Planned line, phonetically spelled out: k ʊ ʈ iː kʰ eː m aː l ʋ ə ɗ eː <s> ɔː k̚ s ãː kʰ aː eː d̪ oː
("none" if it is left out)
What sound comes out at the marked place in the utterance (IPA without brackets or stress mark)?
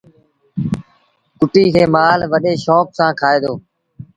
ʃ